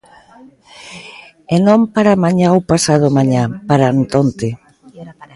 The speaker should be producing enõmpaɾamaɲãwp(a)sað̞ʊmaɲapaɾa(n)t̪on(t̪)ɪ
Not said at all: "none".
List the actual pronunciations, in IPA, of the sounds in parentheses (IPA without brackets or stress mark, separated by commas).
a, n, t̪